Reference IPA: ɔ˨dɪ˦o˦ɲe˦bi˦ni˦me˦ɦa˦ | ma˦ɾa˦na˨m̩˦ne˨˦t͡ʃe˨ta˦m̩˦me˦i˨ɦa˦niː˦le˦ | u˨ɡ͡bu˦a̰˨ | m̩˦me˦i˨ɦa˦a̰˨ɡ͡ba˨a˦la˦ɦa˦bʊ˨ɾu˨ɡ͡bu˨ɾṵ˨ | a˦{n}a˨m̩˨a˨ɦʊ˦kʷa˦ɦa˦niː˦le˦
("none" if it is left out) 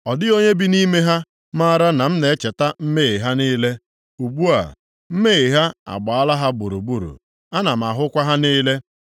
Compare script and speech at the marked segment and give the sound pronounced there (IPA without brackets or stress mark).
n